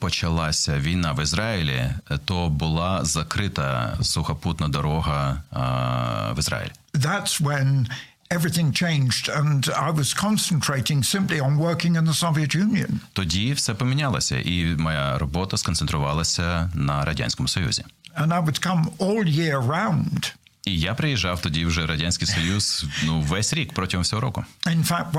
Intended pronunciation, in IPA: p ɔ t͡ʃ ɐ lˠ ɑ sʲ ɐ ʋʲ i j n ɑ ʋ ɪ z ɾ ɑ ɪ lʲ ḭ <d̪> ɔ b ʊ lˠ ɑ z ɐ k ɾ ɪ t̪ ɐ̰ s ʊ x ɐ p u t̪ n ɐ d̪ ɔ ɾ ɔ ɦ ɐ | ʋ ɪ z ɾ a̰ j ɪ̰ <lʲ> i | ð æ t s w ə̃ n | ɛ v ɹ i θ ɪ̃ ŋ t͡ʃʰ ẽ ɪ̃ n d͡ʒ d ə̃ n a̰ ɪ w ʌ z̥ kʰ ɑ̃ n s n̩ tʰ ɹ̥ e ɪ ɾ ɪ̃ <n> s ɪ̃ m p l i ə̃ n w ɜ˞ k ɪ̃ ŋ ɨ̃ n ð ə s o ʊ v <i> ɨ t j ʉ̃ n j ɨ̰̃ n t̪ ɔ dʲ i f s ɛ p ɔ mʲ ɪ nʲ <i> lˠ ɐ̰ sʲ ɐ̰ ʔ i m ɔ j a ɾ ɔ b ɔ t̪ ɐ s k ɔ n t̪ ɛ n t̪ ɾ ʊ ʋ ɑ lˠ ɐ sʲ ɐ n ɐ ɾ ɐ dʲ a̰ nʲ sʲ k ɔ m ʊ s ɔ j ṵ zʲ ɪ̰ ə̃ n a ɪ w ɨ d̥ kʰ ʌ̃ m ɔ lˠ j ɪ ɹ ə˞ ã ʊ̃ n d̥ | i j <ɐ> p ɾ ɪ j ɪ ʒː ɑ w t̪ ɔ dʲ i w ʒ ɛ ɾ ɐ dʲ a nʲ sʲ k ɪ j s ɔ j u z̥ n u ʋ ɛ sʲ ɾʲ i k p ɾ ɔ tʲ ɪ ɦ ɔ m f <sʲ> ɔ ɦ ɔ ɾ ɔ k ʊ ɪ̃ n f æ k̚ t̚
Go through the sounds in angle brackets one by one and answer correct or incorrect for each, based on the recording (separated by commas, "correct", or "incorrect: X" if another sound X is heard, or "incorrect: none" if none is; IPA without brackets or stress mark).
incorrect: t̪, correct, incorrect: ŋ, correct, incorrect: a, incorrect: a, correct